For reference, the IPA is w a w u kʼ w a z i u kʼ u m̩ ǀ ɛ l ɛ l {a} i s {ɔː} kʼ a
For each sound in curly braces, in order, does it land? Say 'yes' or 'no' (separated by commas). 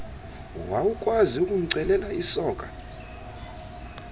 yes, yes